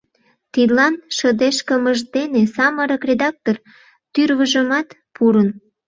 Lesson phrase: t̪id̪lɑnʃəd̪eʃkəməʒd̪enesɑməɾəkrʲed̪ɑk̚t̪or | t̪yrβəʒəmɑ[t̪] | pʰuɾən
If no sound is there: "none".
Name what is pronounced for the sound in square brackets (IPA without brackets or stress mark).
t̪